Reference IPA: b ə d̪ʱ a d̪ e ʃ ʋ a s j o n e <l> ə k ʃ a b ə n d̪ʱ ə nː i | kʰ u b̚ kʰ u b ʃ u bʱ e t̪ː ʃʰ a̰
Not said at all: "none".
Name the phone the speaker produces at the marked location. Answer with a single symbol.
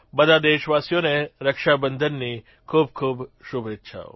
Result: ɾ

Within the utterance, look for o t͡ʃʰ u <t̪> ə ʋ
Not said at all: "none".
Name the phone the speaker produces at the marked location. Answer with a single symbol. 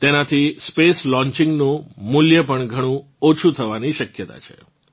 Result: t̪ʰ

